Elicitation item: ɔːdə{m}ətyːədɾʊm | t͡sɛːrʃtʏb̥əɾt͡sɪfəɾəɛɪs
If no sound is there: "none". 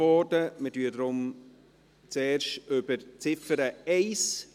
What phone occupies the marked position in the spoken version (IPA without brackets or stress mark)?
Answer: m